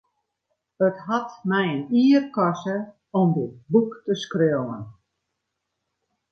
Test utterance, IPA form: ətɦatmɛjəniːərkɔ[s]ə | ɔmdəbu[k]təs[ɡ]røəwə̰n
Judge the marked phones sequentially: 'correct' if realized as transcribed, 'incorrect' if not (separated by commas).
correct, correct, incorrect